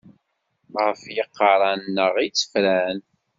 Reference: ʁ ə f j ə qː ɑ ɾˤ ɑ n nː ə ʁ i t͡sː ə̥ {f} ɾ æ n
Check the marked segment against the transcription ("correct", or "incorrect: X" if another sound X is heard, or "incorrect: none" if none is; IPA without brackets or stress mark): correct